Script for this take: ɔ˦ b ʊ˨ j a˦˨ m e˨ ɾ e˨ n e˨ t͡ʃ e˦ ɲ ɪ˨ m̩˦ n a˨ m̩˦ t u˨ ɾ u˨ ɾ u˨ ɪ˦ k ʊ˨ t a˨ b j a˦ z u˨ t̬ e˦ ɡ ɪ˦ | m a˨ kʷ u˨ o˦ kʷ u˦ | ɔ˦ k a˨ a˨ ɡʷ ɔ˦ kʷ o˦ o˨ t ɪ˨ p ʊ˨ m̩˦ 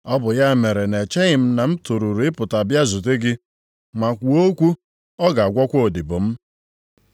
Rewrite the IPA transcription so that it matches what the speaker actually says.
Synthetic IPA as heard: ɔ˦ b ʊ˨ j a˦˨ m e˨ ɾ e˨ n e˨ t͡ʃ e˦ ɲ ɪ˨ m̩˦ n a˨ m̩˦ t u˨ ɾ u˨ ɾ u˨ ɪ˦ p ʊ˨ t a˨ b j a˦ z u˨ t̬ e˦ ɡ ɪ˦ | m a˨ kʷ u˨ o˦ kʷ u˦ | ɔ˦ ɡ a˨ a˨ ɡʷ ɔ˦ kʷ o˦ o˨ d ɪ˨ b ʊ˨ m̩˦